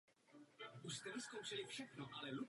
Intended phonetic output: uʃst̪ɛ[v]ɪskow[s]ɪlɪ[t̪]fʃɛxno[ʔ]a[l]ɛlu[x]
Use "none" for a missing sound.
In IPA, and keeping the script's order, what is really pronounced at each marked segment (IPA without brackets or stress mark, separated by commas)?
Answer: v, ʃ, none, ʔ, l, none